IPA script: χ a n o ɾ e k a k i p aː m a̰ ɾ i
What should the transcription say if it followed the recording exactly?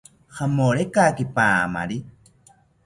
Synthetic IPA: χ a m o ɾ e k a k i p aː m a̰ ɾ i